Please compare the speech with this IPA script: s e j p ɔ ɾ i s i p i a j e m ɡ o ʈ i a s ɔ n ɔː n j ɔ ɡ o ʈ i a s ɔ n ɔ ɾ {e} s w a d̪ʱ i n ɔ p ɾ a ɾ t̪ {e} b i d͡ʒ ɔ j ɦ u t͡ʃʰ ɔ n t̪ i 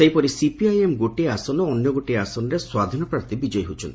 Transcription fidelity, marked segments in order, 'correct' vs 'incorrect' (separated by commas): correct, incorrect